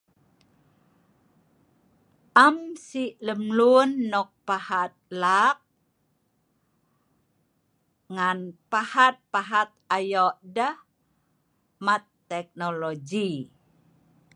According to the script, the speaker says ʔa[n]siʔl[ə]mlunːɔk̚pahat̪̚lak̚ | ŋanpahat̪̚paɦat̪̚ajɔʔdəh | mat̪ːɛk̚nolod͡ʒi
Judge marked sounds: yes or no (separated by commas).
no, yes